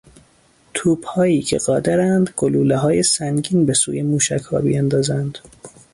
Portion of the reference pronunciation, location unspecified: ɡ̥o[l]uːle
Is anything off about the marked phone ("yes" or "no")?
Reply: no